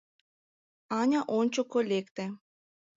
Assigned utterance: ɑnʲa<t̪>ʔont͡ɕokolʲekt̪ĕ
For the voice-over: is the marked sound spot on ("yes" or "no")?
no